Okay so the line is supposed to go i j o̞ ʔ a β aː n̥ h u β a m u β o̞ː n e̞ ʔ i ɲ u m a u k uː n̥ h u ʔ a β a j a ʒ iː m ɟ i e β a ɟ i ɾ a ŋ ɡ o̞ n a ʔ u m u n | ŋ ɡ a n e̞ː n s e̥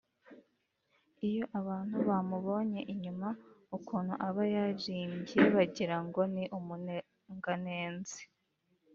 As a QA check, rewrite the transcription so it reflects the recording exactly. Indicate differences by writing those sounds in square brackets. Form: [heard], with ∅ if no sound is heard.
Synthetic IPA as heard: i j o̞ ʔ a β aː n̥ h u β a m u β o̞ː [ɲ] e̞ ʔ i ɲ u m a u k uː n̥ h u ʔ a β a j a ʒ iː m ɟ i e β a ɟ i ɾ a ŋ ɡ o̞ n [i] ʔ u m u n | ŋ ɡ a n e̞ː n [z] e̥